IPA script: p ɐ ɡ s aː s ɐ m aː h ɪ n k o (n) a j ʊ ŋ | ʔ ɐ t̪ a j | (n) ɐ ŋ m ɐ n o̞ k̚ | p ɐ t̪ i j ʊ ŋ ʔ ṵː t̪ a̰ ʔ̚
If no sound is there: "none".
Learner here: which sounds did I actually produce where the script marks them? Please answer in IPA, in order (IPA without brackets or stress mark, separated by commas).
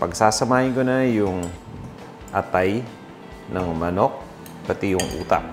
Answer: n, n